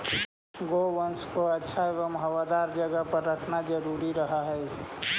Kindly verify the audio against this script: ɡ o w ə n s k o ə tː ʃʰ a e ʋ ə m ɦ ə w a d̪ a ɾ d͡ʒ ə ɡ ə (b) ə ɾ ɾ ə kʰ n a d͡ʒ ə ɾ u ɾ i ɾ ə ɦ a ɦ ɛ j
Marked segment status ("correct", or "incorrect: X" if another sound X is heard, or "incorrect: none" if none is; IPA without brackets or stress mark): incorrect: p